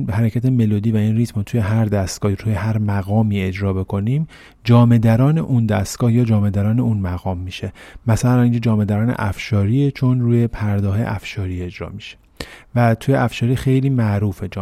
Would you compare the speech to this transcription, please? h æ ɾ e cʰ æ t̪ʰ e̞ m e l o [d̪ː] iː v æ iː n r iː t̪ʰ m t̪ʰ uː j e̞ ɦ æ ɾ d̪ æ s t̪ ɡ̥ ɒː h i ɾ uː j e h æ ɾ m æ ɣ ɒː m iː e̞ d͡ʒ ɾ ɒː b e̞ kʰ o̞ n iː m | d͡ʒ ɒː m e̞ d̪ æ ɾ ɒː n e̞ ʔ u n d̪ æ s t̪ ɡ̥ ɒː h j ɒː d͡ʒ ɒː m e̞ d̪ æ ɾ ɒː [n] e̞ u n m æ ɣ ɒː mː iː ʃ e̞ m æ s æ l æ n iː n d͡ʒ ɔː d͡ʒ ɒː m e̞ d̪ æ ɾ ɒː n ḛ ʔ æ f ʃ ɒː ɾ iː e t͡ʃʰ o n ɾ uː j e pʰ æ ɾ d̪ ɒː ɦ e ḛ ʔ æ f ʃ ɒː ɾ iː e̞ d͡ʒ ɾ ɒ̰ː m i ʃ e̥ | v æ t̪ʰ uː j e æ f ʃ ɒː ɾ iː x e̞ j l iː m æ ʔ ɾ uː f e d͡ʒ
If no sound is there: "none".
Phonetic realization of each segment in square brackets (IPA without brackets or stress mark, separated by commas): d̪, n